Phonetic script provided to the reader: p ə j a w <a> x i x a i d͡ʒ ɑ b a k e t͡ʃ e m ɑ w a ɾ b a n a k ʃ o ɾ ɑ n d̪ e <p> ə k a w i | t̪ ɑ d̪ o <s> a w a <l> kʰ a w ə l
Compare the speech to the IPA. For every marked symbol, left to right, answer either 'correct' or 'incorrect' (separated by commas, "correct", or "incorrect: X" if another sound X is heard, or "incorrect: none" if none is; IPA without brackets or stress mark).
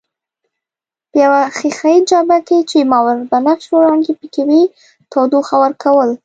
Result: correct, correct, incorrect: x, incorrect: ɾ